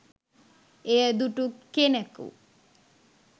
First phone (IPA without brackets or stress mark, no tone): e